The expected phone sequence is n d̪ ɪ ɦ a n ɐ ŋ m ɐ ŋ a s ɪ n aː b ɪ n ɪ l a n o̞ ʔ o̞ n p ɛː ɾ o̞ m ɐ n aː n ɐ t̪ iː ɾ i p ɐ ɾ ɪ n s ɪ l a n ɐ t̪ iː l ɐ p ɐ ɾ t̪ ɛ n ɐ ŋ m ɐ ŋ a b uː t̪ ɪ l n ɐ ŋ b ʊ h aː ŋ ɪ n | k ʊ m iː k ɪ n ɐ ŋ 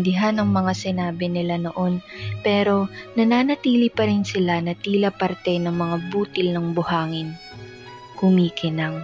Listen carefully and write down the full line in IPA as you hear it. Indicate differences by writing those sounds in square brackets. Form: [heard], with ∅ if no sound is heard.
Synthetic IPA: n d̪ ɪ ɦ a n ɐ ŋ m ɐ ŋ a s ɪ n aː b ɪ n ɪ l a n o̞ ʔ o̞ n p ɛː ɾ o̞ [n] ɐ n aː n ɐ t̪ iː [l] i p ɐ ɾ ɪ n s ɪ l a n ɐ t̪ iː l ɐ p ɐ ɾ t̪ ɛ n ɐ ŋ m ɐ ŋ a b uː t̪ ɪ l n ɐ ŋ b ʊ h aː ŋ ɪ n | k ʊ m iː k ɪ n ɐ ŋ